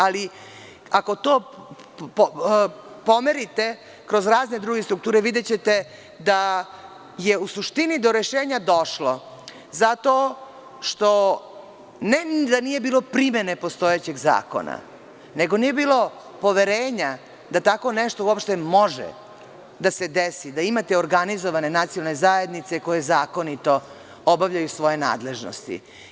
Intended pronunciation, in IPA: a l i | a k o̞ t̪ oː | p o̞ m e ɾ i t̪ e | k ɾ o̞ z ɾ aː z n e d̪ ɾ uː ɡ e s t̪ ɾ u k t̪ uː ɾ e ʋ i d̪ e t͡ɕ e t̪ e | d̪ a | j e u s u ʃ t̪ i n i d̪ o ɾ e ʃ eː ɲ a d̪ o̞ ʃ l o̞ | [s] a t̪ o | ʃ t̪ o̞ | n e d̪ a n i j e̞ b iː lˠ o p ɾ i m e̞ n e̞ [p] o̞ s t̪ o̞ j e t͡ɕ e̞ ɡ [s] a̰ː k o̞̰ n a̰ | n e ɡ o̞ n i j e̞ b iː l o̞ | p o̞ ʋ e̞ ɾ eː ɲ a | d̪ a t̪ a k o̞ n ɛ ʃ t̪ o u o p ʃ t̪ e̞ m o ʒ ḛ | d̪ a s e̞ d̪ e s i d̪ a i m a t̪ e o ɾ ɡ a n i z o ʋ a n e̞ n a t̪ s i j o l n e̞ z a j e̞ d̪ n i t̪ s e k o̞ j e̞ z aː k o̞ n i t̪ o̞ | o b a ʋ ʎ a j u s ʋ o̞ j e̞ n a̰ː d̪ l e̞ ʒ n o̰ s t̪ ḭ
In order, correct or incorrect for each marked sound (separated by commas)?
incorrect, correct, incorrect